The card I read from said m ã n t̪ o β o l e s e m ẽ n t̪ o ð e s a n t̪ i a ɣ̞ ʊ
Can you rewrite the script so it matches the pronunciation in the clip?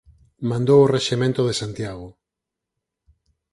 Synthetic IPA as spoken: m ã n d̪ o w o r e ʃ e m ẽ n t̪ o ð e s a n t̪ j a ɣ̞ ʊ